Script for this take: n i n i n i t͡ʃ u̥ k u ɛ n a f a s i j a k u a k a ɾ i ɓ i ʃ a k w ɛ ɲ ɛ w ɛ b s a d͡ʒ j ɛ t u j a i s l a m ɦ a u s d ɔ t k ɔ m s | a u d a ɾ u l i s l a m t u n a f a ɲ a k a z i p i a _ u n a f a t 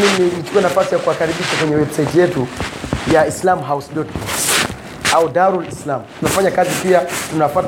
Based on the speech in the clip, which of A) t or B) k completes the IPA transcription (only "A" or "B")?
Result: A